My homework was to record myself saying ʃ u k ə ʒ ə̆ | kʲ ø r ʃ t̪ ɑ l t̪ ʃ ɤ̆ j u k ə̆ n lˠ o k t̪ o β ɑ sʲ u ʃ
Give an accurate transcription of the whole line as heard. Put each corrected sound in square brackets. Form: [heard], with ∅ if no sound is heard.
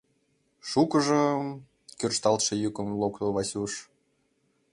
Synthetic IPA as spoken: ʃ u k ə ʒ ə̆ | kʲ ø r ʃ t̪ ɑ l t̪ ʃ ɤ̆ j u k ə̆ [m] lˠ o k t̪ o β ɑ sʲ u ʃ